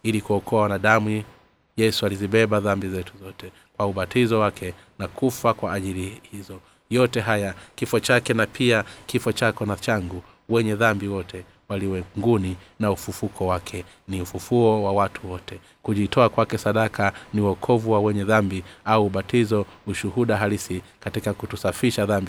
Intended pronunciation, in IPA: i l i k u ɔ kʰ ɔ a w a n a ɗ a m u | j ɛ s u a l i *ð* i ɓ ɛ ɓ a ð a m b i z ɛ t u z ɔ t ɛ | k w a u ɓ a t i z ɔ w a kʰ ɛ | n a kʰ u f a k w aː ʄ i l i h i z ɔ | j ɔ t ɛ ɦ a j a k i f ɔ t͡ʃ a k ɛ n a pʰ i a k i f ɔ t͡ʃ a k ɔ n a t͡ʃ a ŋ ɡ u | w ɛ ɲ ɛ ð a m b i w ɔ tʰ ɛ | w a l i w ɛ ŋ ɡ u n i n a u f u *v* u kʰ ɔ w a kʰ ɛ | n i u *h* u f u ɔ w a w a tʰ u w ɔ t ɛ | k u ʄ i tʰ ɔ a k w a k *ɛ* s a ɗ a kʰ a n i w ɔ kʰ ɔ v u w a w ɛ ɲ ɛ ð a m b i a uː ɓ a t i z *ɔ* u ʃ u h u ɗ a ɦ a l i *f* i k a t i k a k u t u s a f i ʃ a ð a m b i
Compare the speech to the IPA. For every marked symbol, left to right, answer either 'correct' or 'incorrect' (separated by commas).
incorrect, incorrect, incorrect, correct, correct, incorrect